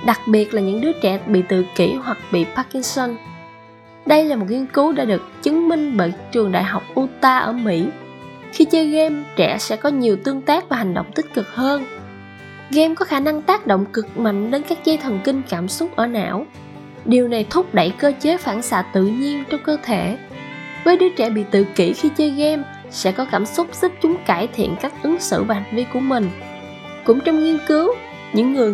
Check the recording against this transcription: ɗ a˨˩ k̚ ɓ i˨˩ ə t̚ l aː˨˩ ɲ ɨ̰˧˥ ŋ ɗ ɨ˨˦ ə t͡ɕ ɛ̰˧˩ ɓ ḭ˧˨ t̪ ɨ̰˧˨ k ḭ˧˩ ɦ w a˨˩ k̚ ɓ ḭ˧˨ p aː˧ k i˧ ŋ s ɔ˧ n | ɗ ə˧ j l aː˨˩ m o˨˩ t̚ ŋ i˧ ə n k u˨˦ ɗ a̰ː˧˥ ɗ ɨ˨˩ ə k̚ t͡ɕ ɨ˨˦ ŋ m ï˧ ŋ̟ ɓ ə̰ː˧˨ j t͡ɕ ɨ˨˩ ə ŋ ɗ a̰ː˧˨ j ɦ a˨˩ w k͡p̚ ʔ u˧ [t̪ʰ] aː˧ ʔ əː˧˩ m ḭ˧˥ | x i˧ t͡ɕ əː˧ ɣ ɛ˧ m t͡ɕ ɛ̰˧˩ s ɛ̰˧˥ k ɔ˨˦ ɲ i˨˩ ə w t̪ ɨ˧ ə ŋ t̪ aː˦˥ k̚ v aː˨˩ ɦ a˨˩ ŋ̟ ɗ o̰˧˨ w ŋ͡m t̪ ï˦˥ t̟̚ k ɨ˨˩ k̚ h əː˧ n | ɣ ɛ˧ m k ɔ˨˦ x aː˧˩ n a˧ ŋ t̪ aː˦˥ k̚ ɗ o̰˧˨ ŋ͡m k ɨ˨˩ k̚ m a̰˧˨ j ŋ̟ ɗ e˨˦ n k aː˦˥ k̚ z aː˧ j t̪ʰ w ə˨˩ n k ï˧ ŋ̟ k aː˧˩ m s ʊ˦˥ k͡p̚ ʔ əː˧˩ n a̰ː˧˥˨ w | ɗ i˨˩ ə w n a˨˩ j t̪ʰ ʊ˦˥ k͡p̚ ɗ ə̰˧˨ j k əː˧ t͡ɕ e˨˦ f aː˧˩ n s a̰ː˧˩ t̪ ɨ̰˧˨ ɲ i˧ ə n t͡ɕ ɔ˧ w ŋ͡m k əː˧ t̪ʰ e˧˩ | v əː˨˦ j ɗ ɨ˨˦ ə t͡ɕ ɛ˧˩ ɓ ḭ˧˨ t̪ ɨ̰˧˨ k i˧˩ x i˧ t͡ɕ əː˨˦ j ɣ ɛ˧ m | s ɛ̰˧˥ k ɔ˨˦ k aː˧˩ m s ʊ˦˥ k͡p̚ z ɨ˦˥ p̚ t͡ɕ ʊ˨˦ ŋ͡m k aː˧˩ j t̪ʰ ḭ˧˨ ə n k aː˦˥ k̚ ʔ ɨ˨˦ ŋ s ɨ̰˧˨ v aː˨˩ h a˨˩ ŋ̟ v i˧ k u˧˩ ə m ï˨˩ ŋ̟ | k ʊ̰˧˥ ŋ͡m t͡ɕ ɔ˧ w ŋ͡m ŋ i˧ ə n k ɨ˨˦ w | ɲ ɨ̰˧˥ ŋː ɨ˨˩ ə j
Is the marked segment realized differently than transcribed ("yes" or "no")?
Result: yes